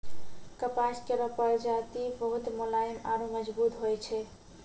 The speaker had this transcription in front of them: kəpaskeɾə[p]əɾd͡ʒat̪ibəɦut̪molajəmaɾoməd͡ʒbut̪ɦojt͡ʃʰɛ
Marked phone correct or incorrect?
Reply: correct